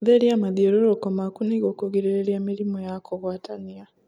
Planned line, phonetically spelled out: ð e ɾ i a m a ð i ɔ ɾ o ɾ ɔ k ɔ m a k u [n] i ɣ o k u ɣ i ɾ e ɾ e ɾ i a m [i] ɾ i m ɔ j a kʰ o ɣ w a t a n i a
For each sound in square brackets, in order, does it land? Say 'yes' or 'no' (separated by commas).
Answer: yes, yes